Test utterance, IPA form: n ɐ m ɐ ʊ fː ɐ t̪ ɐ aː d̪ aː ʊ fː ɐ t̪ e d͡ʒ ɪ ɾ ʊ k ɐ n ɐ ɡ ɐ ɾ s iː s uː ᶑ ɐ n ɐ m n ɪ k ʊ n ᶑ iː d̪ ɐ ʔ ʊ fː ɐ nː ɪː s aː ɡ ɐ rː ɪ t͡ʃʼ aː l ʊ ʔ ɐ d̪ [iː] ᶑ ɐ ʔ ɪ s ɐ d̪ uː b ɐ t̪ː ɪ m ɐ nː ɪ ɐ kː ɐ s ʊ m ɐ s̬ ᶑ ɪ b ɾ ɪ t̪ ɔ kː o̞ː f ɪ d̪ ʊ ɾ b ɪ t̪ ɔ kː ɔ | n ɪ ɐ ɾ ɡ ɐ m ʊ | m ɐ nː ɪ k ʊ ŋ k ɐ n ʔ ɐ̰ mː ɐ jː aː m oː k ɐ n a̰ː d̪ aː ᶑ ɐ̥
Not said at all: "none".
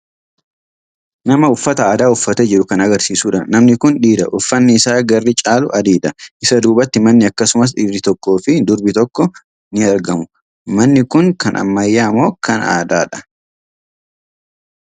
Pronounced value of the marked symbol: iː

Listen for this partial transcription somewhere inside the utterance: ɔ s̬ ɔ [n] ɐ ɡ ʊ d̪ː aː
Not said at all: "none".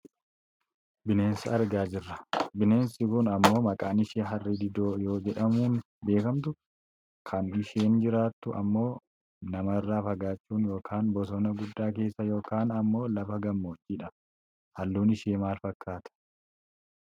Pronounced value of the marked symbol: n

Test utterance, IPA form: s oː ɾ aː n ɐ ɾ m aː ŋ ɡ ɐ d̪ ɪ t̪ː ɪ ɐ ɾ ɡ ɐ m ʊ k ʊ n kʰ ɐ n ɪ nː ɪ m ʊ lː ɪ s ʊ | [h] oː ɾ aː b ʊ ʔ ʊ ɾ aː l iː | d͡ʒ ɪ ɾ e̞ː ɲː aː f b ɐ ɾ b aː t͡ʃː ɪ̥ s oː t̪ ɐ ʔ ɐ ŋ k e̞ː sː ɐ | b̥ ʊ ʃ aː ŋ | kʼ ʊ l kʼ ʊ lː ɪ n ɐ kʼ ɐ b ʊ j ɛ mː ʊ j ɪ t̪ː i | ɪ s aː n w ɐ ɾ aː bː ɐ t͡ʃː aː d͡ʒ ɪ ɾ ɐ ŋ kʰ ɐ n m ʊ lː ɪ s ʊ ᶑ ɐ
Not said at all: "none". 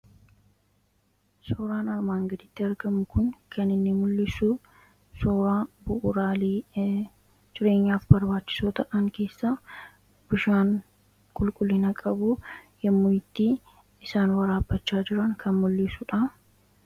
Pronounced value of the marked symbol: s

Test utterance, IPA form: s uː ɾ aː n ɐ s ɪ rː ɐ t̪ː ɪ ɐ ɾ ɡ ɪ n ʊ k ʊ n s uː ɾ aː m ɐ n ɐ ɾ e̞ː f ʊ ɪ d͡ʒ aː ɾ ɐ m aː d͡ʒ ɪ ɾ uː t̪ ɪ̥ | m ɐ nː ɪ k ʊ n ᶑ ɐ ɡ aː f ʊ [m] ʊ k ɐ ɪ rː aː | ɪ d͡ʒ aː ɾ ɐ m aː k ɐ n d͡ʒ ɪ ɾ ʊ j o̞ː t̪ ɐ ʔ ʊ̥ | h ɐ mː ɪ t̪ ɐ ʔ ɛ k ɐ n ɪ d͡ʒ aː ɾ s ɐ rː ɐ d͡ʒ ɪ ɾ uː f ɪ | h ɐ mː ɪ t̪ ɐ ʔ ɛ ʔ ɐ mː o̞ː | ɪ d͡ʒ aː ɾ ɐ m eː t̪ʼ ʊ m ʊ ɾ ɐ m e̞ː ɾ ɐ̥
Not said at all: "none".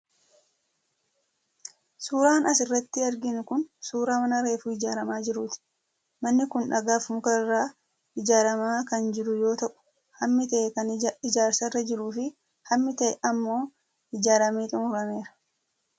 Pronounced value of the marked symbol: m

